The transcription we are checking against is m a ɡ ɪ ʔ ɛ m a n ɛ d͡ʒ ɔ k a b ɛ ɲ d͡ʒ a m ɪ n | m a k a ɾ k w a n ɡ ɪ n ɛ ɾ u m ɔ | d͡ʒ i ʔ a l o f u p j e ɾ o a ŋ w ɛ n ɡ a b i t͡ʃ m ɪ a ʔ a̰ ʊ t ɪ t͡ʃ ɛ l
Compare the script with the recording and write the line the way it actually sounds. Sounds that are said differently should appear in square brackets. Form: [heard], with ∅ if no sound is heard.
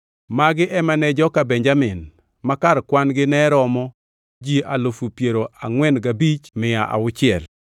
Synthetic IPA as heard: m a ɡ ɪ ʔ ɛ m a n ɛ d͡ʒ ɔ k a b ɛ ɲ d͡ʒ a m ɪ n | m a k a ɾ k w a n ɡ ɪ n ɛ ɾ [ɔ] m ɔ | d͡ʒ i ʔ a l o f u p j e ɾ o a ŋ w ɛ n ɡ a b i t͡ʃ m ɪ a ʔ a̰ ʊ [t͡ʃ] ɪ [∅] ɛ l